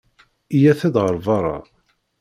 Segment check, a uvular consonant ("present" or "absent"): present